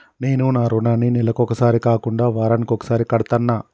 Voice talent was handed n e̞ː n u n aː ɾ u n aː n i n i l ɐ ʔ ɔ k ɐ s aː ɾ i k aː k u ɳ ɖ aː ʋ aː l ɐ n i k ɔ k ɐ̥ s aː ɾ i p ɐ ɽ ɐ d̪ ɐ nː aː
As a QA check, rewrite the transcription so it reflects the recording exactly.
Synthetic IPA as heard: n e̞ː n u n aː ɾ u n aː n i n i l ɐ k ɔ k ɐ s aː ɾ i k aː k u ɳ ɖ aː ʋ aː ɾ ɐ n i k ɔ k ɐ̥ s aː ɾ i k ɐ ɽ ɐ t̪ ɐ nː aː